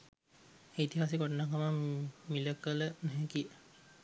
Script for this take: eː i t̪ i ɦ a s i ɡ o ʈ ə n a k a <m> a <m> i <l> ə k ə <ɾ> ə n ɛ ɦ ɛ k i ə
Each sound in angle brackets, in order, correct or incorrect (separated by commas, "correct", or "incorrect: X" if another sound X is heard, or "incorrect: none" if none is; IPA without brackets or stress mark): correct, correct, correct, incorrect: l